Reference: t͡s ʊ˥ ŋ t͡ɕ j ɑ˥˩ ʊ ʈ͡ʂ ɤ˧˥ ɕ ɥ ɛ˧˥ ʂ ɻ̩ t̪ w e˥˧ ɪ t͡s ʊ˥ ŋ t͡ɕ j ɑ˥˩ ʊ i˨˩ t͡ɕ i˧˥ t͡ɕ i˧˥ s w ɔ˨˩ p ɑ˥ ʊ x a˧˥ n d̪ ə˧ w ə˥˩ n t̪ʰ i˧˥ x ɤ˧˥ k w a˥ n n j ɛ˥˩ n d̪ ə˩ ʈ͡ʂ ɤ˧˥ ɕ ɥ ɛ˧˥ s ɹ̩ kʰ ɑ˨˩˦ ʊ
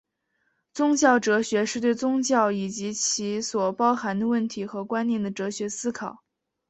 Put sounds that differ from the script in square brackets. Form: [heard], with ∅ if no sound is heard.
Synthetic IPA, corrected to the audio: t͡s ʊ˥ ŋ t͡ɕ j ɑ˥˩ ʊ ʈ͡ʂ ɤ˧˥ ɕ ɥ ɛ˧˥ ʂ ɻ̩ t̪ w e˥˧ ɪ t͡s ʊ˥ ŋ t͡ɕ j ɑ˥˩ ʊ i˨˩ t͡ɕ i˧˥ [t͡ɕʰ] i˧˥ s w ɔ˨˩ p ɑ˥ ʊ x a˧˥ n d̪ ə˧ w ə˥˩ n t̪ʰ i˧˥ x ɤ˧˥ k w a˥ n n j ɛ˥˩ n d̪ ə˩ ʈ͡ʂ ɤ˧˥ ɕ ɥ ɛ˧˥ s ɹ̩ kʰ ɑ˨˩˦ ʊ